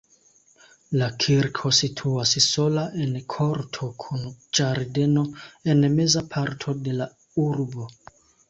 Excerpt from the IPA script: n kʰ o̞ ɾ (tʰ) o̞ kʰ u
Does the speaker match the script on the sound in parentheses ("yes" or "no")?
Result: yes